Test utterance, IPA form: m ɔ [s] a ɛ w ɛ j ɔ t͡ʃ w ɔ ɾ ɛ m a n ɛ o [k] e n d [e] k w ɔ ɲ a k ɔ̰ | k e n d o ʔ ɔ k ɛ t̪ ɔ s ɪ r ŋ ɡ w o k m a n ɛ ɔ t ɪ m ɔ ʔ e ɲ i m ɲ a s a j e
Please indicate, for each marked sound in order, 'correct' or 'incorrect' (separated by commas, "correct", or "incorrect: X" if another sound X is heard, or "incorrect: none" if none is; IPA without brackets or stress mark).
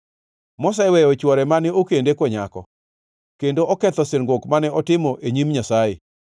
correct, correct, correct